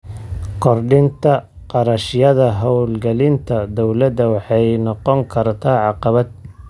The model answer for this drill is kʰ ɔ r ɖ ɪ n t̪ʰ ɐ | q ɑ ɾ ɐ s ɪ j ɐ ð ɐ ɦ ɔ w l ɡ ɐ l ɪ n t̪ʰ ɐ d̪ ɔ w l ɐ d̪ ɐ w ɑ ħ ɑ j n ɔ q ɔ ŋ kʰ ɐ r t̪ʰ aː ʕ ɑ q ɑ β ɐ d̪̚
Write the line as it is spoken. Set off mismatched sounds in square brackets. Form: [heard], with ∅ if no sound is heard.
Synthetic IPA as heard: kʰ ɔ r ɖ ɪ n t̪ʰ ɐ | q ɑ ɾ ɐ [ʃ] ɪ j ɐ ð ɐ ɦ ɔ w l ɡ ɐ l ɪ n t̪ʰ ɐ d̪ ɔ w l ɐ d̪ ɐ w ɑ ħ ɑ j n ɔ q ɔ ŋ kʰ ɐ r t̪ʰ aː ʕ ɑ q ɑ β ɐ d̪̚